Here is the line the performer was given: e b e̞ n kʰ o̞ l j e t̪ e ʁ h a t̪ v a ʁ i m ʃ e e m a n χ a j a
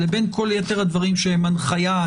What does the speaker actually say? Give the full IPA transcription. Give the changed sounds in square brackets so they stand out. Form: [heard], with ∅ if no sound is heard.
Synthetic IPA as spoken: e b e̞ n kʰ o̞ l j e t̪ e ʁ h a [d̪] v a ʁ i m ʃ e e m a n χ a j a